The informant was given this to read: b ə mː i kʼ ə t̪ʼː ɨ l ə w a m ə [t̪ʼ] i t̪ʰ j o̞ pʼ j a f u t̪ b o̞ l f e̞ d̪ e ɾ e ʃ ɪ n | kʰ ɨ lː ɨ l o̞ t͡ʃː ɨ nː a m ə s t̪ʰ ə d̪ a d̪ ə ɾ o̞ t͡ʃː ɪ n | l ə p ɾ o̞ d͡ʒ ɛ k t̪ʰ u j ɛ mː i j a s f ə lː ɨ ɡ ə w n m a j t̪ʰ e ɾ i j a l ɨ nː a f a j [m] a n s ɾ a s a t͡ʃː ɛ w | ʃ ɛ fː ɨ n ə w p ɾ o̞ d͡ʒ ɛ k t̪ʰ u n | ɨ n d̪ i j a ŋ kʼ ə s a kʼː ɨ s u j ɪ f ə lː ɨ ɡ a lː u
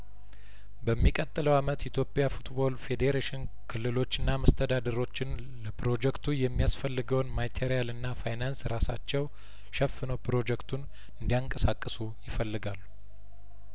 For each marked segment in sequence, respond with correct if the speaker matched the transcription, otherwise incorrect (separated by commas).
incorrect, incorrect